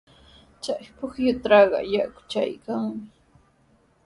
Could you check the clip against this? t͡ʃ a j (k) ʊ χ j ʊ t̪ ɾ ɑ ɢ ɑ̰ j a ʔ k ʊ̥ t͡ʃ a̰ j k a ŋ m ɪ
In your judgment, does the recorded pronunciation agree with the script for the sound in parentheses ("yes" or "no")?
no